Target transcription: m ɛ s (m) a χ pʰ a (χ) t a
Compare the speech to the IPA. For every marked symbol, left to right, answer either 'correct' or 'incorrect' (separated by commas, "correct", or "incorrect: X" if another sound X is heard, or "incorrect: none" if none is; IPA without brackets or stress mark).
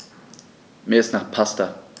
incorrect: n, incorrect: s